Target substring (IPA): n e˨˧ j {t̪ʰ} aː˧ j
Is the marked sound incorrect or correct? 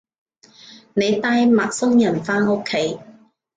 incorrect: t̪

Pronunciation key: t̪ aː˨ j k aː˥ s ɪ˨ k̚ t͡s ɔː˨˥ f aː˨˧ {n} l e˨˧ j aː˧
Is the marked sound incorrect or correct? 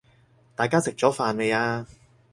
correct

